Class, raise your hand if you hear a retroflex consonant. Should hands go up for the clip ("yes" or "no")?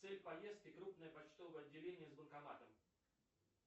no